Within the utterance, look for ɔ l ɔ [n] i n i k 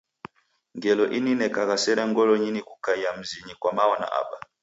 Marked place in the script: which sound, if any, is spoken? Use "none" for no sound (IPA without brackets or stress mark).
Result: ɲ